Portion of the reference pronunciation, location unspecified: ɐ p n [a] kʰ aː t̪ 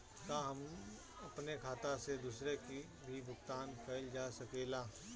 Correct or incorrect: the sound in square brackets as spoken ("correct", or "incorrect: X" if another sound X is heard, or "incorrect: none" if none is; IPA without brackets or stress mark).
incorrect: e